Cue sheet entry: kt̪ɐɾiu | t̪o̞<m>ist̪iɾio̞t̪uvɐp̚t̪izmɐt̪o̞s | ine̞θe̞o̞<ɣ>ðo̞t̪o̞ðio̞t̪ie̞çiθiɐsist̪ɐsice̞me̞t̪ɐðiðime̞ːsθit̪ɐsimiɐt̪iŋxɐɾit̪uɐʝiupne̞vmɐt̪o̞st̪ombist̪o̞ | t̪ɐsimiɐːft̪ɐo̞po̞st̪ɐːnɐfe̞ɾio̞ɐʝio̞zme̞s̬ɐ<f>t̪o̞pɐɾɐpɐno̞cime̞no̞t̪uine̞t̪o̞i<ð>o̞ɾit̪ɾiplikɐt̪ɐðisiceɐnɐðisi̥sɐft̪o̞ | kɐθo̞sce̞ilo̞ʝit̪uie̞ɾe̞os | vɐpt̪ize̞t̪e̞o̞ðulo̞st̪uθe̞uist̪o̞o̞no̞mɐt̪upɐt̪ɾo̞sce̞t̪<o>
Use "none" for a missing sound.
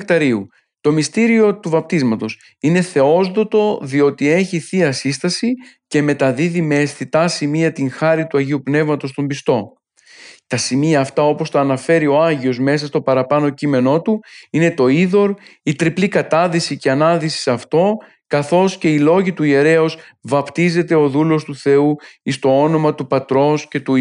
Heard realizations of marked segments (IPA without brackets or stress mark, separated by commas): m, z, s, ð, u